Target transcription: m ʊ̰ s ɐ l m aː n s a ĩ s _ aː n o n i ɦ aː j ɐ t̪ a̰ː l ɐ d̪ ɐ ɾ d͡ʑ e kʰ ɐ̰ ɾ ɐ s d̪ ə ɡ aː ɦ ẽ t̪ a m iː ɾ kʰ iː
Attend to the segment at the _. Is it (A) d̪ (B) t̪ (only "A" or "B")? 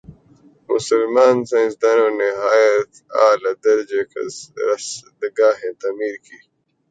A